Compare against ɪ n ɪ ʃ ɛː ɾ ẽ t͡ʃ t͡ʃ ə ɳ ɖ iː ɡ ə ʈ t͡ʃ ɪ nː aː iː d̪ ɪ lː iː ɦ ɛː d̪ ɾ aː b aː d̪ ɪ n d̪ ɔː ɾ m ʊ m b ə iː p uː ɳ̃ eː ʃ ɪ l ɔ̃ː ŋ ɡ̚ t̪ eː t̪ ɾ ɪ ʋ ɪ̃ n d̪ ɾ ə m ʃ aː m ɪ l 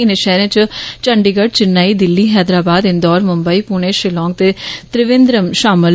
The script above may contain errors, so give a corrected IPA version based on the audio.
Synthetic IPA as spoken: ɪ n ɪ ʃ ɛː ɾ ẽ t͡ʃ t͡ʃ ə ɳ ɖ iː ɡ ə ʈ t͡ʃ ɪ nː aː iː d̪ ɪ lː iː ɦ ɛː d̪ ɾ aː b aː d̪ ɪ n d̪ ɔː ɾ m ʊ m b ə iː p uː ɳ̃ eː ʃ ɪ l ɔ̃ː ŋ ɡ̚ t̪ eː t̪ ɾ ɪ ʋ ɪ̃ n d̪ ɾ ə m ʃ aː m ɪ l